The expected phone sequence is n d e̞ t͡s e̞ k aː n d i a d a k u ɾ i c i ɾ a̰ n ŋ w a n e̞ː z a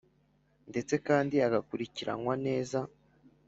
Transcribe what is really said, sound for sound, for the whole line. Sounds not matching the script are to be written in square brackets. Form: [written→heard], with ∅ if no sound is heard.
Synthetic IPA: n d e̞ t͡s e̞ k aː n d i a [d→ɡ] a k u ɾ i c i ɾ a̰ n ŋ w a n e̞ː z a